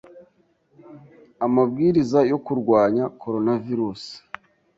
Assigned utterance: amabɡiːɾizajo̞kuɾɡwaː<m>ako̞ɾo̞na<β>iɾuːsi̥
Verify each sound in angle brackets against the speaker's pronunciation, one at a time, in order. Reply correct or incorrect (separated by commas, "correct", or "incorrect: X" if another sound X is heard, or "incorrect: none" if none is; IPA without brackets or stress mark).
incorrect: ɲ, incorrect: v